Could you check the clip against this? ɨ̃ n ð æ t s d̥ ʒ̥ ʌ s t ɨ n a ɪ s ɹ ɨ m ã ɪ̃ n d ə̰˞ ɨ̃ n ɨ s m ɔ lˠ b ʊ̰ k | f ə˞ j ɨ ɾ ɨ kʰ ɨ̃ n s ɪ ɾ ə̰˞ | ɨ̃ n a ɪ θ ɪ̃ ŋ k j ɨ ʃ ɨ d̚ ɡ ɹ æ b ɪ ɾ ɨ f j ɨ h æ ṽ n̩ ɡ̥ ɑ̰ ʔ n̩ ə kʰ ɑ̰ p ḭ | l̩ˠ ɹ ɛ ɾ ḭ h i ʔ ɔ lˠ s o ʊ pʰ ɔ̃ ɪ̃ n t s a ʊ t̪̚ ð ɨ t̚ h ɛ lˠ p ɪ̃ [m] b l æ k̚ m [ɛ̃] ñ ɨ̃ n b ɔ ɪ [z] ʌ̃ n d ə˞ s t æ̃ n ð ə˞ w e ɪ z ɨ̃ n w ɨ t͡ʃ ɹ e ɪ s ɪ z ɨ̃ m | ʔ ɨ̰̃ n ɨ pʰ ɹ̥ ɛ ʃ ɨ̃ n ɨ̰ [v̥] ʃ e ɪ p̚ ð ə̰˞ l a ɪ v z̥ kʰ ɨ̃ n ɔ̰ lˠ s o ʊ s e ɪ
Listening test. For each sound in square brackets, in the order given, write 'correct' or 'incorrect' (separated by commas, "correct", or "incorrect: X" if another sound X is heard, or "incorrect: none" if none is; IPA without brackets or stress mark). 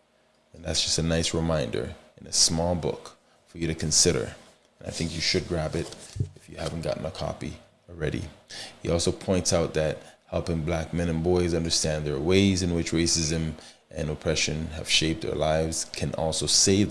incorrect: ŋ, correct, correct, correct